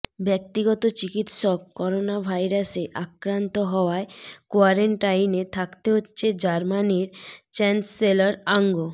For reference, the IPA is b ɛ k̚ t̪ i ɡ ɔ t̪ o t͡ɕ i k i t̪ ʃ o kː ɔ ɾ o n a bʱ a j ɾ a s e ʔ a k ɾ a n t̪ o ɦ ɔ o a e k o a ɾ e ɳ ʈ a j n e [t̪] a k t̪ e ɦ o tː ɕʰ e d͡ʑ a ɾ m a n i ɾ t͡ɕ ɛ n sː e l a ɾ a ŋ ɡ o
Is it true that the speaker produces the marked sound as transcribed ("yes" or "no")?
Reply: no